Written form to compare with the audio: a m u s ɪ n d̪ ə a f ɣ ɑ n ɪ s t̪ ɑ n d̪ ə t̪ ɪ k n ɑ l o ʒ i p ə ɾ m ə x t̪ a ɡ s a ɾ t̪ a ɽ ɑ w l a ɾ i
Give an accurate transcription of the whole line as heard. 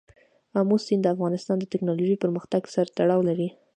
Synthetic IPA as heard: a m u s i n d̪ ə a f ɣ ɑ n ɪ s t̪ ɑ n d̪ ə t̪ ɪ k n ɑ l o ʒ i p ə ɾ m ə x t̪ a ɡ s a ɾ t̪ a ɽ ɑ w l a ɾ i

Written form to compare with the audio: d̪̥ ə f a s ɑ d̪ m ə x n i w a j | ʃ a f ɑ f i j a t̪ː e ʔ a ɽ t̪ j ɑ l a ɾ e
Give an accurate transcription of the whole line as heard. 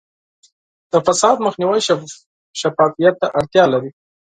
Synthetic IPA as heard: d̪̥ ə f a s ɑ d̪ m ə x n i w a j | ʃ a f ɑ f i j a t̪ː a ʔ a ɽ t̪ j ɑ l a ɾ i

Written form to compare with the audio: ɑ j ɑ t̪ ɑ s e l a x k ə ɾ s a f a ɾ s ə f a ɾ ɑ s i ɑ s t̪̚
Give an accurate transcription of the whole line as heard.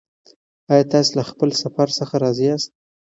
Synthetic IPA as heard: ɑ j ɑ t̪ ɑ s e l a x p ə l s a f a ɾ s ə x a ɾ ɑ z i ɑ s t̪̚

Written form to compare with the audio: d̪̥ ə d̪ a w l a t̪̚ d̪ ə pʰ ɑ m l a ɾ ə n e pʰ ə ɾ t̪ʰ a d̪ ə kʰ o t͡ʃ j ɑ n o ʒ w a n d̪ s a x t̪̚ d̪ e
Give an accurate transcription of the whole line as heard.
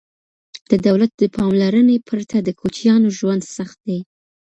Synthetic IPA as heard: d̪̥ ə d̪ a w l a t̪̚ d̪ ə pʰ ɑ m l a ɾ ə n e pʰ ə ɾ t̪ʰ a d̪ ə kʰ o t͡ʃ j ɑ n o ʒ w a n d̪ s a x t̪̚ d̪ e

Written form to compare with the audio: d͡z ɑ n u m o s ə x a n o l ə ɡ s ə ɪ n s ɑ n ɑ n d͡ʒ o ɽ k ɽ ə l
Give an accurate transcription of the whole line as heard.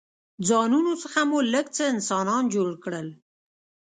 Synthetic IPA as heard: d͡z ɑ n u n o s ə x a m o l ə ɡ t͡s ə ɪ n s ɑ n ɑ n d͡ʒ o ɽ k ɽ ə l

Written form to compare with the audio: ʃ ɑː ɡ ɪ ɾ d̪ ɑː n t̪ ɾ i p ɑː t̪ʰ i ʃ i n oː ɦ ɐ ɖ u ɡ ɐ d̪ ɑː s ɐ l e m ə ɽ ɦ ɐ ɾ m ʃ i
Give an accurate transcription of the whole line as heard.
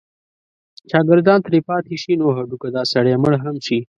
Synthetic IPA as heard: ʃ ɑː ɡ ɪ ɾ d̪ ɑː n t̪ ɾ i p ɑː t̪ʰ i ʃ i n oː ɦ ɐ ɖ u k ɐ d̪ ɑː s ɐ ɽ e m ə ɽ ɦ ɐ m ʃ i

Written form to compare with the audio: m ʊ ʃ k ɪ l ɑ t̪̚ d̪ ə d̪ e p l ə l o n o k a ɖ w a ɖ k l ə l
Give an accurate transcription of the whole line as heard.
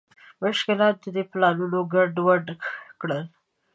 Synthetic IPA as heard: m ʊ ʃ k ɪ l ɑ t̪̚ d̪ ə d̪ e p l ɑ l u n o ɡ a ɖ w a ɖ k ɽ ə l

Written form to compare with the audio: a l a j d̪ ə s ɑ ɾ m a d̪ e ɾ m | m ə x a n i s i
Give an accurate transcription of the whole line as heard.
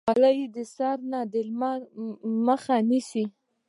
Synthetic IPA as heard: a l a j d̪ ə s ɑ ɾ n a d̪ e l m | m ə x a n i s i

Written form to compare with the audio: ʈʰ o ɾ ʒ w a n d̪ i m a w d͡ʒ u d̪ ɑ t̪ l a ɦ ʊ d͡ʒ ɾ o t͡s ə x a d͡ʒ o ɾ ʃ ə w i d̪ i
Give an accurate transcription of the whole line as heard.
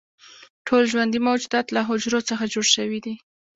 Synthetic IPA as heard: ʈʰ o l ʒ w a n d̪ i m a w d͡ʒ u d̪ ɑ t̪ l a ɦ ʊ d͡ʒ ɾ o t͡s ə x a d͡ʒ o ɽ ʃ ə w i d̪ i

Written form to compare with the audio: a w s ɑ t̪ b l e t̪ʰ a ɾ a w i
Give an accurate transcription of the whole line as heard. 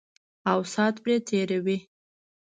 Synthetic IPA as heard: a w s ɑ t̪ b ɾ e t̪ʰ e ɾ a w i

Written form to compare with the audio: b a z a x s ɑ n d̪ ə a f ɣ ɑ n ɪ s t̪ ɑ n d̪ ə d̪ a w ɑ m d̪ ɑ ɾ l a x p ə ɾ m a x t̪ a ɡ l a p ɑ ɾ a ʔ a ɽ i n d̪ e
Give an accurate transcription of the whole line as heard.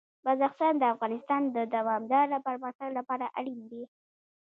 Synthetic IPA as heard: b a z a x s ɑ n d̪ ə a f ɣ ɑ n ɪ s t̪ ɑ n d̪ ə d̪ a w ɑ m d̪ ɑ ɾ l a p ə ɾ m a x t̪ a ɡ l a p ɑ ɾ a ʔ a ɽ i n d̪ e

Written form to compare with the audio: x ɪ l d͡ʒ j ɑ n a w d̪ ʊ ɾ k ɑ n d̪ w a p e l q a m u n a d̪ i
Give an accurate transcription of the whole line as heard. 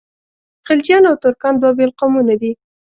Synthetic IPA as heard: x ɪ l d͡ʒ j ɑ n a w t̪ ʊ ɾ k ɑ n d̪ w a b e l q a m u n a d̪ i

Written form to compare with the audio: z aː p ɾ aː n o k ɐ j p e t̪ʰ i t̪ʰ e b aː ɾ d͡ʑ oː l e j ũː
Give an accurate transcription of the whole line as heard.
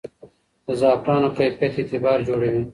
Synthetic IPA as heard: z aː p ɾ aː n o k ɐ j p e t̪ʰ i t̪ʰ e b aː ɾ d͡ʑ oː ɽ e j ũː

